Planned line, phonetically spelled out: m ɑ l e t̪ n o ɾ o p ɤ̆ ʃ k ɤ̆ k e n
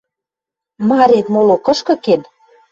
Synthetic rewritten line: m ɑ ɾ e t̪ m o l o k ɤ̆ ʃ k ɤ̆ k e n